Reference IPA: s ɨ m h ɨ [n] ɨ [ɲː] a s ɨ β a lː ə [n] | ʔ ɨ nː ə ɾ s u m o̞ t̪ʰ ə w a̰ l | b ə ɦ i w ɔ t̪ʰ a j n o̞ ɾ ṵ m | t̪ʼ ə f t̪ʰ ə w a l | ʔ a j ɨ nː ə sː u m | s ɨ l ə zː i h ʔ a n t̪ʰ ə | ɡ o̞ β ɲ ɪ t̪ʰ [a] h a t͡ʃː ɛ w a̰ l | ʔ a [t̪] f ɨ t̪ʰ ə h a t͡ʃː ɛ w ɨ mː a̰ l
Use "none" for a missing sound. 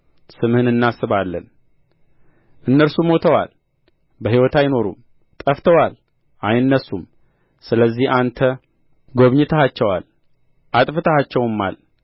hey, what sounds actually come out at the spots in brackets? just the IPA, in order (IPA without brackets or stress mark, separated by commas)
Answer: n, nː, n, ə, t̪ʼ